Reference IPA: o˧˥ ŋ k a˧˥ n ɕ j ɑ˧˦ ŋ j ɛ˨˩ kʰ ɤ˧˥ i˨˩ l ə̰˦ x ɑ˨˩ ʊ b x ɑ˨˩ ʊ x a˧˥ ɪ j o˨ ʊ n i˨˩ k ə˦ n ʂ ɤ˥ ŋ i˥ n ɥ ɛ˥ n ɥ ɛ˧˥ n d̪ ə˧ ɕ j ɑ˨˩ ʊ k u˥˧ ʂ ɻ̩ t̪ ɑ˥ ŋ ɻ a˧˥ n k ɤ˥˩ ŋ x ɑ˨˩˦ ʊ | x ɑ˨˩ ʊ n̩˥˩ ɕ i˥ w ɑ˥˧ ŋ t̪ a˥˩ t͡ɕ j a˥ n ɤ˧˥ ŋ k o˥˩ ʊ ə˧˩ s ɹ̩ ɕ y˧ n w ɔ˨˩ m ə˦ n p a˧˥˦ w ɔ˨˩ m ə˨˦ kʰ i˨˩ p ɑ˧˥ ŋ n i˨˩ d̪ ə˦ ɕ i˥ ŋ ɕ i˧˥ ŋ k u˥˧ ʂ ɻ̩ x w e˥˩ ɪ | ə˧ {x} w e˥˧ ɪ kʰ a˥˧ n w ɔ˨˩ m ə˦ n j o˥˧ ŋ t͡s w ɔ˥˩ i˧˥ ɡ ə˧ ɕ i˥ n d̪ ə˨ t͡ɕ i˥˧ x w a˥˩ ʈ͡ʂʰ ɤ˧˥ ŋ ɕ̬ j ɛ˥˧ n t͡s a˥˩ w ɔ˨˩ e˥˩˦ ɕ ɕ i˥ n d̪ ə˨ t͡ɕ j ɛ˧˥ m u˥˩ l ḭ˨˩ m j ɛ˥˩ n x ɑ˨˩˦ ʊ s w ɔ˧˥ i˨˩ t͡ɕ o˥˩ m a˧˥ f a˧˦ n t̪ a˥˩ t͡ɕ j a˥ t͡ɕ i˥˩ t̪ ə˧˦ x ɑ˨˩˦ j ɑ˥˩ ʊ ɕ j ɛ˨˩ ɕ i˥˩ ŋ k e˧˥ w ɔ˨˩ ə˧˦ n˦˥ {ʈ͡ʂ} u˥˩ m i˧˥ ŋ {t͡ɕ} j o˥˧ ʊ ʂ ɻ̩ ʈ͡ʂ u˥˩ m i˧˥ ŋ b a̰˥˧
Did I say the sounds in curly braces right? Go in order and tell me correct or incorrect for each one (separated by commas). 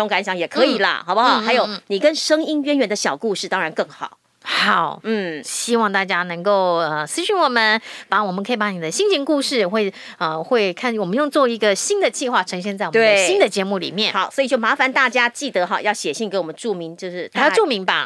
correct, correct, correct